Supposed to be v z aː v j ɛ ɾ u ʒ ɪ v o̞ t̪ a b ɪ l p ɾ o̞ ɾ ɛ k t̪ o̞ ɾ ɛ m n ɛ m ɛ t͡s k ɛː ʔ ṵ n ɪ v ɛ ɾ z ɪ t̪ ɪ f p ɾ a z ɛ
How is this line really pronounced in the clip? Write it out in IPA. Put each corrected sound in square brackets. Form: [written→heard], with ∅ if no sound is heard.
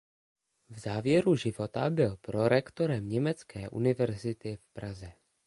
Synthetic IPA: v z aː v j ɛ ɾ u ʒ ɪ v o̞ t̪ a b ɪ l p ɾ o̞ ɾ ɛ k t̪ o̞ ɾ ɛ m [n→ɲ] ɛ m ɛ t͡s k ɛː ʔ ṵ n ɪ v ɛ ɾ z ɪ t̪ ɪ f p ɾ a z ɛ